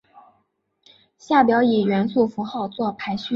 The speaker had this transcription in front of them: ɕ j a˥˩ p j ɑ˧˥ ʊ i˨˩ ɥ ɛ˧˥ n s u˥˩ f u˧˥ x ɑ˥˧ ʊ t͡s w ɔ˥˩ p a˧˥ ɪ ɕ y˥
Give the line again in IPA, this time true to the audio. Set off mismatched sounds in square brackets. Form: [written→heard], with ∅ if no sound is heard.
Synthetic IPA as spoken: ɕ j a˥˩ p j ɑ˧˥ ʊ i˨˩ ɥ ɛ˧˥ n s u˥˩ f u˧˥ x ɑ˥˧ ʊ t͡s w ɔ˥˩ [p→pʰ] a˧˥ ɪ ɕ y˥